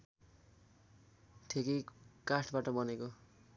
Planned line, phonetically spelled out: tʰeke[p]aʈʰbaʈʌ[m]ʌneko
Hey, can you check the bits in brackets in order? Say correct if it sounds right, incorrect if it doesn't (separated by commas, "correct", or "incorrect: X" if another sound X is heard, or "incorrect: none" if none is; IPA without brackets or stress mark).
incorrect: k, incorrect: b